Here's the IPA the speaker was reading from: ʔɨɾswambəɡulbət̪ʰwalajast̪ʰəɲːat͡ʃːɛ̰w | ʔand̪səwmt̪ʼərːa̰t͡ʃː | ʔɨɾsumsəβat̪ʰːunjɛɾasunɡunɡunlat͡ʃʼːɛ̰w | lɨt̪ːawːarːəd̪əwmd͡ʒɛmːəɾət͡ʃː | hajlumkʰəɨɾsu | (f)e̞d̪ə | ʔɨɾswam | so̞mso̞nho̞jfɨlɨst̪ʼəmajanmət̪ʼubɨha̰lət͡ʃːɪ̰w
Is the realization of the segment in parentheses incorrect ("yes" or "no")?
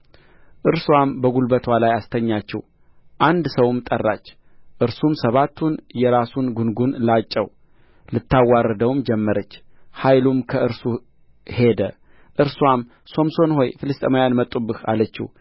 yes